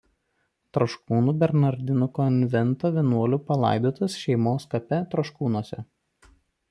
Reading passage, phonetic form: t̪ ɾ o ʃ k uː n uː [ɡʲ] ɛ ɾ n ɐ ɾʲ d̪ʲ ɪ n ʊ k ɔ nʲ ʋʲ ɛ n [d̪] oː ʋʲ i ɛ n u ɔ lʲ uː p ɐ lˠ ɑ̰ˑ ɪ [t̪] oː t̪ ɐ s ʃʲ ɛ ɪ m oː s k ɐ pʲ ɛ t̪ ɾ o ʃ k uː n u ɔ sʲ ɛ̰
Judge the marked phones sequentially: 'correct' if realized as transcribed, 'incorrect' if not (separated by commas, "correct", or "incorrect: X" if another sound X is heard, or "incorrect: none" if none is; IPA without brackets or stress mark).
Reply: incorrect: bʲ, incorrect: t̪, incorrect: d̪